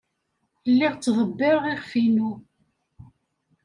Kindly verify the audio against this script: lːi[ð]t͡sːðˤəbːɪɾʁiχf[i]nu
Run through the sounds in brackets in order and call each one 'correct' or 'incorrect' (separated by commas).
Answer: incorrect, correct